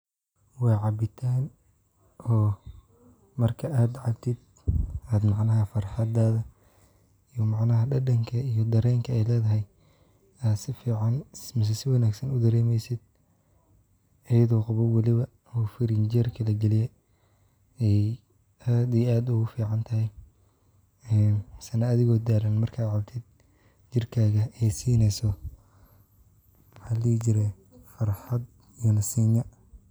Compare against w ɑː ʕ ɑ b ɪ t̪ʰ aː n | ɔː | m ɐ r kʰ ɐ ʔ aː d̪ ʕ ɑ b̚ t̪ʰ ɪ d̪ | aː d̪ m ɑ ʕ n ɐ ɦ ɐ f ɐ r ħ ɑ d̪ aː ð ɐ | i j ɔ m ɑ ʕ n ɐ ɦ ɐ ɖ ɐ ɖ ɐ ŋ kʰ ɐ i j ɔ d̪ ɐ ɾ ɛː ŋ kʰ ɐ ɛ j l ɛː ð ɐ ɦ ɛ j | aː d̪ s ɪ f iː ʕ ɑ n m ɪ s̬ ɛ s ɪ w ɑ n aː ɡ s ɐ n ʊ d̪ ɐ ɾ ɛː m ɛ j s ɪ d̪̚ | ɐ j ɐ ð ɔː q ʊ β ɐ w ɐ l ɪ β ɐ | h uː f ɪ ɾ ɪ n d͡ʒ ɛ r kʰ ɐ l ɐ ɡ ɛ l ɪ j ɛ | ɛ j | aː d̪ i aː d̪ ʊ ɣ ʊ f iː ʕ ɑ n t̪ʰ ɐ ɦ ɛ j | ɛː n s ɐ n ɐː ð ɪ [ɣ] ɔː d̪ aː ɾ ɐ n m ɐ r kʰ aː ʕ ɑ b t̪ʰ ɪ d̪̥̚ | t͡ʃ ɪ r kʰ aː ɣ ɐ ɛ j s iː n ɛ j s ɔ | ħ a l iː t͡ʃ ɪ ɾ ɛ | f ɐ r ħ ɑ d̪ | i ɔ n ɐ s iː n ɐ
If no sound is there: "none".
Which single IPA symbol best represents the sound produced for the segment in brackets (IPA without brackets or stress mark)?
ɣ